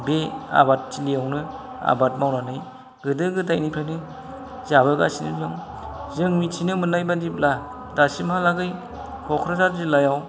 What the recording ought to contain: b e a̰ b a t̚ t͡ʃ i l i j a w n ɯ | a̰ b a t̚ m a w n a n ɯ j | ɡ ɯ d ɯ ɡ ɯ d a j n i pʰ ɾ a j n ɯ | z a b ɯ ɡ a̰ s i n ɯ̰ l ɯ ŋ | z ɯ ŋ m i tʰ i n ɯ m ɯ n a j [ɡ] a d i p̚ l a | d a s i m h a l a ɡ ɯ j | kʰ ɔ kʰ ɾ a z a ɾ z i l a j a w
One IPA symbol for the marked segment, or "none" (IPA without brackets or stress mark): b